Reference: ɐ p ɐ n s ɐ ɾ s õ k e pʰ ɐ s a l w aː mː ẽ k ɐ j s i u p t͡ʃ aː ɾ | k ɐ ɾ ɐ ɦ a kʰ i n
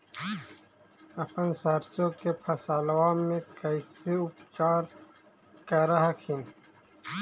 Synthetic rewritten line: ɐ p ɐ n s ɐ ɾ s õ k e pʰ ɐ s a l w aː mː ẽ k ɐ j s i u p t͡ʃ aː ɾ | k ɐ ɾ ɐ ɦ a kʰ i n